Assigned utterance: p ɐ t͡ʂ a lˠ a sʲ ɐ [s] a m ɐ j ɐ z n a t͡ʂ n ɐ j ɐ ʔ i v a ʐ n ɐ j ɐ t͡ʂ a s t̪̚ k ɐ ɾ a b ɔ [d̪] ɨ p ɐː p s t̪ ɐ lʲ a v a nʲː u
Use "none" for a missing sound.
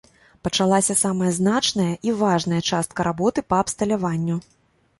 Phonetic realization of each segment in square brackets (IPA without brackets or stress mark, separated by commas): s, t̪